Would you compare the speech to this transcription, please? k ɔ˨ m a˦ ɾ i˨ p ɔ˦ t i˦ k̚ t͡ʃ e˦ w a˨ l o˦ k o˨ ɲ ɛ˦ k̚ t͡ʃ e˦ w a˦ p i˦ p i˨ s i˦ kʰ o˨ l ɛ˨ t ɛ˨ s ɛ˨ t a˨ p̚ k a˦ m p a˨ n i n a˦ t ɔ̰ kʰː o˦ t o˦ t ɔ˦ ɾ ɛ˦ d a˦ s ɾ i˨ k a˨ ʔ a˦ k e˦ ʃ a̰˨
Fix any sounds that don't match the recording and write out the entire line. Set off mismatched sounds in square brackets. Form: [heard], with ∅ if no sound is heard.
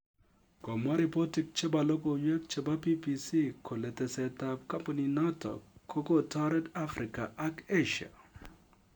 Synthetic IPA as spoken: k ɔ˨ m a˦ ɾ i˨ p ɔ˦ t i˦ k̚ t͡ʃ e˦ [b] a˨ l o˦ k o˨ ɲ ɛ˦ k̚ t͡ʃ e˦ [b] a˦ p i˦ p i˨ s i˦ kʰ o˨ l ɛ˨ t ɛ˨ s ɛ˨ t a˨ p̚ k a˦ m p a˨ n i n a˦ t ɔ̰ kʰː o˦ [k] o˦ t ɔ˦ ɾ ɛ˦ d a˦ [f] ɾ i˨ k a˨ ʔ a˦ k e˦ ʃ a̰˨